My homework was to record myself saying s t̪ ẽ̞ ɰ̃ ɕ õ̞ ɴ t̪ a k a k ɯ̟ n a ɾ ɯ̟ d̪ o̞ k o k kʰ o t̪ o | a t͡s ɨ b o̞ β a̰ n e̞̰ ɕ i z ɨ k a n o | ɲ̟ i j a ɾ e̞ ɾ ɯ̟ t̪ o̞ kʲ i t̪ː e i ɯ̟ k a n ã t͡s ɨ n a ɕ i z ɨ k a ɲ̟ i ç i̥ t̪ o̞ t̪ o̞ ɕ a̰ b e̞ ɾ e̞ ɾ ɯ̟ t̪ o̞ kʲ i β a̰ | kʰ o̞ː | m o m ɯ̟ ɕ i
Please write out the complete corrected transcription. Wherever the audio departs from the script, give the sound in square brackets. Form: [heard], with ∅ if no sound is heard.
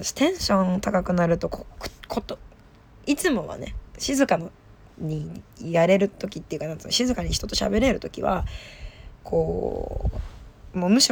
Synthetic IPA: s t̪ ẽ̞ ɰ̃ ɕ õ̞ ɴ t̪ a k a k ɯ̟ n a ɾ ɯ̟ [t̪] o̞ k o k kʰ o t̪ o | [i] t͡s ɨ [m] o̞ β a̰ n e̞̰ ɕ i z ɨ k a n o | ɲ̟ i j a ɾ e̞ ɾ ɯ̟ t̪ o̞ kʲ i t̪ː e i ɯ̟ k a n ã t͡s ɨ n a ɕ i z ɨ k a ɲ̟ i ç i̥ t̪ o̞ t̪ o̞ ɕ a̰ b e̞ ɾ e̞ ɾ ɯ̟ t̪ o̞ kʲ i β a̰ | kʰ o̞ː | m o m ɯ̟ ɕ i